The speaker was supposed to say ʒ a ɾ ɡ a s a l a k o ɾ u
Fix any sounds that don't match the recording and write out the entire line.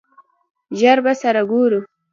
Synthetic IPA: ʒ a ɾ b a s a ɾ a ɡ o ɾ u